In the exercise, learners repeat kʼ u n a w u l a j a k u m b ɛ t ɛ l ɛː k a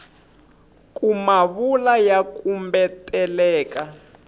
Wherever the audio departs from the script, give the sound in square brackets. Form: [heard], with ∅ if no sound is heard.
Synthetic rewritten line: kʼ u [m] a [β] u l a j a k u m b ɛ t ɛ l ɛː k a